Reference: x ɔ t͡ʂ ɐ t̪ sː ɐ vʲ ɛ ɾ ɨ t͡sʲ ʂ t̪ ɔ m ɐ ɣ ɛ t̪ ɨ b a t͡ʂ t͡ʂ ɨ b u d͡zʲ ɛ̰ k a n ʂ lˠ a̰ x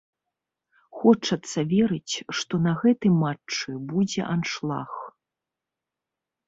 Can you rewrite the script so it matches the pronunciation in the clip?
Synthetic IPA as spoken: x ɔ t͡ʂ ɐ t̪ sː ɐ vʲ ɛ ɾ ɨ t͡sʲ ʂ t̪ ɔ n ɐ ɣ ɛ t̪ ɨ m a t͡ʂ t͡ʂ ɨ b u d͡zʲ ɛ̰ ʔ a n ʂ lˠ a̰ x